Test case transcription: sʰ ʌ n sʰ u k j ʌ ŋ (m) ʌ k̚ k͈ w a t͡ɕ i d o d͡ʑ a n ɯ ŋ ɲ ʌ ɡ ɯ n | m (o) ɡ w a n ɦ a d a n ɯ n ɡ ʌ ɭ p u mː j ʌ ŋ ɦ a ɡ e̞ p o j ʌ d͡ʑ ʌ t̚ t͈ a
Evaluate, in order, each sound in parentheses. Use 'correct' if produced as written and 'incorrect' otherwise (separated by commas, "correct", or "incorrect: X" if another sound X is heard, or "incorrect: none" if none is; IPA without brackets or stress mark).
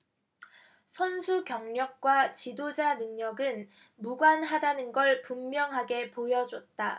incorrect: ɲ, incorrect: u